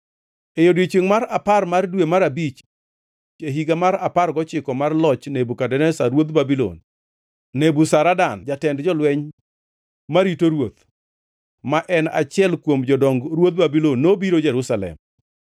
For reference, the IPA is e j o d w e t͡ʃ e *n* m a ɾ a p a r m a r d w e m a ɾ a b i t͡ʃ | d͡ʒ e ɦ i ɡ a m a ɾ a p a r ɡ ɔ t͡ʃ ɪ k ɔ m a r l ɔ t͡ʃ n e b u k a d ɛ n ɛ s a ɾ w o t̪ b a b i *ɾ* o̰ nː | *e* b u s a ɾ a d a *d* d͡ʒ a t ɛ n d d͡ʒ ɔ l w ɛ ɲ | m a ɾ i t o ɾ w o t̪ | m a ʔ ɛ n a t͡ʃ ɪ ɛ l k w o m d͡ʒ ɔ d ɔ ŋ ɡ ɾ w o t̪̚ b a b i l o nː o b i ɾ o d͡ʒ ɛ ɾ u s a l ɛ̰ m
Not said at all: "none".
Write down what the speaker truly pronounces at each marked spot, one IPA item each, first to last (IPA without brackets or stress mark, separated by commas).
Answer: ŋ, l, e, n